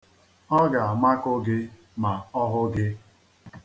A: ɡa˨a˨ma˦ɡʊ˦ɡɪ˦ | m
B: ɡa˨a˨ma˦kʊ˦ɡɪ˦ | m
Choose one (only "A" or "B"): B